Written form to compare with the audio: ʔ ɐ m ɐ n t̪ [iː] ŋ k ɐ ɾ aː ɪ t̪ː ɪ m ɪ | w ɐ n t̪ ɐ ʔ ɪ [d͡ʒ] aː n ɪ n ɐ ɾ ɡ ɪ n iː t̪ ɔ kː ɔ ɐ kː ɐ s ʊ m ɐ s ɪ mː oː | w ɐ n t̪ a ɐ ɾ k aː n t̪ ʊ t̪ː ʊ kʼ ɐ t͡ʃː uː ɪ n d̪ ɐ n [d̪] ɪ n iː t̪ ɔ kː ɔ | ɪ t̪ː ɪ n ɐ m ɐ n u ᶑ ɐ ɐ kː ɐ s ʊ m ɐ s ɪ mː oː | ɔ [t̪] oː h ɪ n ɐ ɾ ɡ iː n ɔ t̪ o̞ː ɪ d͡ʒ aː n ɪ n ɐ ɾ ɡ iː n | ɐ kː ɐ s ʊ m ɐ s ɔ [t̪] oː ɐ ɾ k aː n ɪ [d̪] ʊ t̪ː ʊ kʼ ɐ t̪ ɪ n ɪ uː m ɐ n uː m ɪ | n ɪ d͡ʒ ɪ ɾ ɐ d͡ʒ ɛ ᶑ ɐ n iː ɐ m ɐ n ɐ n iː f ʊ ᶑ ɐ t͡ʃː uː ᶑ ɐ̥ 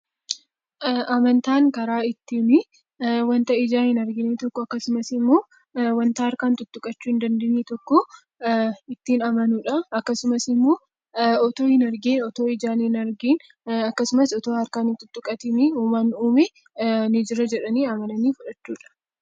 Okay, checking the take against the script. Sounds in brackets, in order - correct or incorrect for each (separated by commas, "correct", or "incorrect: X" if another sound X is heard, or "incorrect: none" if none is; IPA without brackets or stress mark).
incorrect: aː, correct, correct, correct, correct, incorrect: t̪